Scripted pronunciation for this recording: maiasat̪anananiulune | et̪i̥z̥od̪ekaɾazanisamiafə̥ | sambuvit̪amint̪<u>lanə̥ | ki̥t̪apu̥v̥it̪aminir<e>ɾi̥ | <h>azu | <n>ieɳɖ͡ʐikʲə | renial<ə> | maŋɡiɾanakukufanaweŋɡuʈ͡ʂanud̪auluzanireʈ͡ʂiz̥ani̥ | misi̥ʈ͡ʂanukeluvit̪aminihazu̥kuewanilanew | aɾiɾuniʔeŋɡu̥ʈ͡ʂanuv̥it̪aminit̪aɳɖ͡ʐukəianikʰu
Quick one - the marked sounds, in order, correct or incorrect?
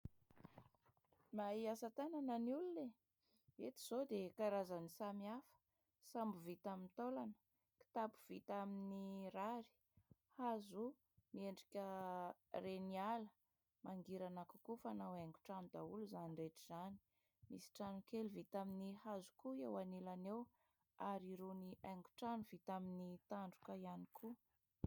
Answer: incorrect: o, incorrect: a, correct, incorrect: m, correct

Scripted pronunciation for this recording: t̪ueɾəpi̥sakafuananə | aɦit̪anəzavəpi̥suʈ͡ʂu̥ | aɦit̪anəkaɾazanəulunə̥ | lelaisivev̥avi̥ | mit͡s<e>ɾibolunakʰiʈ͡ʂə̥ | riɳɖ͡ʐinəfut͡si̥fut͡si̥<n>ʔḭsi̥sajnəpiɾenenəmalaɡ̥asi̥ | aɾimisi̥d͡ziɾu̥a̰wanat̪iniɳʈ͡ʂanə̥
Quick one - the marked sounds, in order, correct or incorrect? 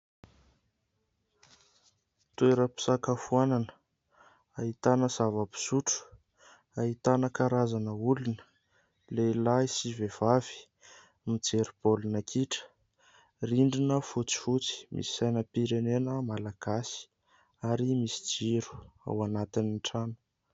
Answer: correct, incorrect: m

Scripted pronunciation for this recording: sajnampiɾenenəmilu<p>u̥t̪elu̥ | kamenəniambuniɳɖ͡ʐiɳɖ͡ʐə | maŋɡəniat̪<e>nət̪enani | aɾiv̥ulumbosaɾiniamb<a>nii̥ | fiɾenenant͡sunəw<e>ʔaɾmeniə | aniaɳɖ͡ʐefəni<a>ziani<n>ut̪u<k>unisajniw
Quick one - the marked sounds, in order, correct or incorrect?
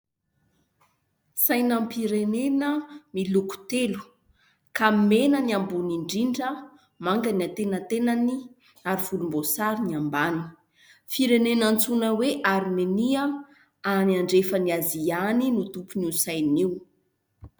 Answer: incorrect: k, correct, correct, correct, correct, correct, incorrect: p

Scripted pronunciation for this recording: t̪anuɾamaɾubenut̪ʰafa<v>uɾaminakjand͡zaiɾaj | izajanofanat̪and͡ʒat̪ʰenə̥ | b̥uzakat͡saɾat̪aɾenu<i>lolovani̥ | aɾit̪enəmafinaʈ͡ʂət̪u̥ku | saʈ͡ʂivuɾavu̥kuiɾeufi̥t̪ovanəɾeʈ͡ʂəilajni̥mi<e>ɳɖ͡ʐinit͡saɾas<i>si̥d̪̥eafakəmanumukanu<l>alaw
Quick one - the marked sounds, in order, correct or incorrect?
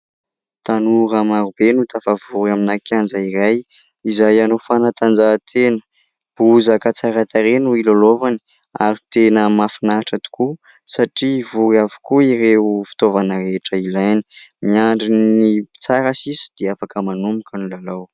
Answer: correct, correct, incorrect: a, correct, correct

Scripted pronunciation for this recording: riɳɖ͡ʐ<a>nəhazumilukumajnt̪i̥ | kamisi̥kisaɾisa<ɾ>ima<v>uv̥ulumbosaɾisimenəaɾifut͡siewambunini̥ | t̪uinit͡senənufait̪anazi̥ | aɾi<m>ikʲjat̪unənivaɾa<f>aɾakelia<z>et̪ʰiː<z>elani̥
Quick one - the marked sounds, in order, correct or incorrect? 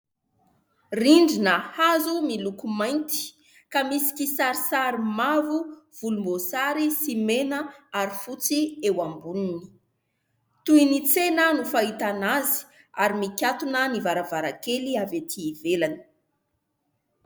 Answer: incorrect: i, correct, correct, correct, incorrect: v, incorrect: v, incorrect: v

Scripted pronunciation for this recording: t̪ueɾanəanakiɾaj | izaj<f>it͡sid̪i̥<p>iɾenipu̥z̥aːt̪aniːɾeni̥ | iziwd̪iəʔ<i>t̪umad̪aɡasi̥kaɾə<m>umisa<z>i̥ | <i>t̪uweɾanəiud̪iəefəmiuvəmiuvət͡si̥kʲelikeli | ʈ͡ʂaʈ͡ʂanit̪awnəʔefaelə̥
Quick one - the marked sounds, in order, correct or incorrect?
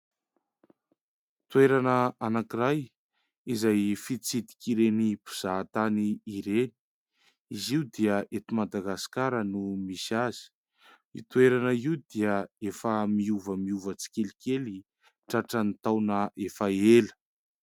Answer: correct, incorrect: k, incorrect: e, incorrect: n, correct, correct

